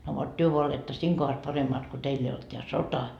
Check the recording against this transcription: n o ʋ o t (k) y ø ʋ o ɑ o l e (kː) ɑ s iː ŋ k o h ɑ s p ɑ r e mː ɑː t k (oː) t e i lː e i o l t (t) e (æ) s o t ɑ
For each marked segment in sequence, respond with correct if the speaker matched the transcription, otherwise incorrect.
incorrect: t, incorrect: tː, incorrect: o, correct, correct

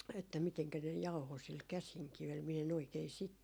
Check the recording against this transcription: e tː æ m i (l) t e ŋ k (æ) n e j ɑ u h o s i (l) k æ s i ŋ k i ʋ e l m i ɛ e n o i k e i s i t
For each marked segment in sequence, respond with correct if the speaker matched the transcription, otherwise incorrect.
incorrect: none, correct, correct

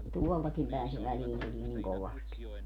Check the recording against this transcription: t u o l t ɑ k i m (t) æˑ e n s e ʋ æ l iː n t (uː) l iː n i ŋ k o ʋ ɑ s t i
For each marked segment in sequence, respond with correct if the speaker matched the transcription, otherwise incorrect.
incorrect: p, incorrect: u

